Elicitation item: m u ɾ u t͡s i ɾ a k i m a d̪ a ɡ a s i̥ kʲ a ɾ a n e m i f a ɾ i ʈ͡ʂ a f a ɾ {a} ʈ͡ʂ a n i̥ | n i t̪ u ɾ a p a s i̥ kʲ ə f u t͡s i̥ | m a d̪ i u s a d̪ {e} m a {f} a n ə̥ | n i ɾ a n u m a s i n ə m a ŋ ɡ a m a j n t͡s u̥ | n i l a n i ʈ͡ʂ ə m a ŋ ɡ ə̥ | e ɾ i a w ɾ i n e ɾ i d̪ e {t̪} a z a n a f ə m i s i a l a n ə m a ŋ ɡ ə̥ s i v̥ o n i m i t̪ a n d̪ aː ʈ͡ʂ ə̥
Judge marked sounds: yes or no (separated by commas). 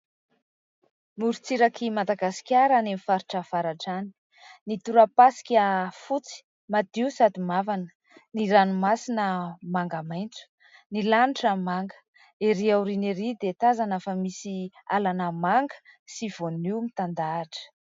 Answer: yes, no, no, yes